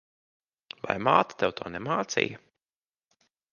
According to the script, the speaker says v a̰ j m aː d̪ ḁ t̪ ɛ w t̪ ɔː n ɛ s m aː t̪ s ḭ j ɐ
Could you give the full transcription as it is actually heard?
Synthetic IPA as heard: v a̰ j m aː t̪ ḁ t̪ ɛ w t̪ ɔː n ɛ m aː t̪ s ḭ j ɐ